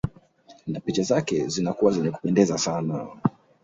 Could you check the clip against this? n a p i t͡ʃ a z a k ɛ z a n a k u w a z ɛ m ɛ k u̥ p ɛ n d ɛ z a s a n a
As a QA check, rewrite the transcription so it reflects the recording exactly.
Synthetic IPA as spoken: n a p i t͡ʃ a z a k ɛ z i n a k u w a z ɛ ɲ ɛ k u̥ p ɛ n d ɛ z a s a n a